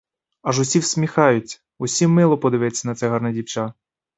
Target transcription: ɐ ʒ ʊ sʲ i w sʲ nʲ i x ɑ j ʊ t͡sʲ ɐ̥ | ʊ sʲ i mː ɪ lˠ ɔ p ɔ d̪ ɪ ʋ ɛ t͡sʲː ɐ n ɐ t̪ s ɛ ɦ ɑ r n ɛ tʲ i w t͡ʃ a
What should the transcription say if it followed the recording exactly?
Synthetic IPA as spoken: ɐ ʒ ʊ sʲ i w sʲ mʲ i x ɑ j ʊ t͡sʲ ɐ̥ | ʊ sʲ i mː ɪ lˠ ɔ p ɔ d̪ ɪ ʋ ɛ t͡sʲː ɐ n ɐ t̪ s ɛ ɦ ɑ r n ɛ dʲ i w t͡ʃ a